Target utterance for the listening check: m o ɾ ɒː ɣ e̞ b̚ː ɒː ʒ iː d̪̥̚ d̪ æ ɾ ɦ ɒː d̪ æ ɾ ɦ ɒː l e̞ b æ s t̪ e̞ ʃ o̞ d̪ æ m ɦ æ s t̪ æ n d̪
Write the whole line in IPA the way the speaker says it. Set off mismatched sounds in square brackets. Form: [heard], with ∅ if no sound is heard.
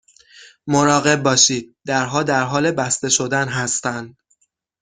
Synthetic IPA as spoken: m o ɾ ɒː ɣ e̞ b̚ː ɒː [ʃ] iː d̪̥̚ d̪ æ ɾ ɦ ɒː d̪ æ ɾ ɦ ɒː l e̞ b æ s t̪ e̞ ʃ o̞ d̪ æ [n] ɦ æ s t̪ æ n d̪